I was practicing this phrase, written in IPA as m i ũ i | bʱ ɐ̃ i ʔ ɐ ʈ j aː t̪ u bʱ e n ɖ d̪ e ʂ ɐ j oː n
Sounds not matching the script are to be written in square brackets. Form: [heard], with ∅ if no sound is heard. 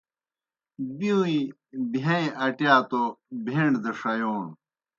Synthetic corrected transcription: [b] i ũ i | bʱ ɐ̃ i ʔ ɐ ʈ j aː t̪ [o] bʱ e [ɳ] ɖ d̪ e ʂ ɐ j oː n